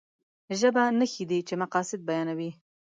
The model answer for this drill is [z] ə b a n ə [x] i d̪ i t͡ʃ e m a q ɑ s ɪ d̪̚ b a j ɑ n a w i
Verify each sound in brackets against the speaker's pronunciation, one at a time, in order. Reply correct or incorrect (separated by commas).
incorrect, correct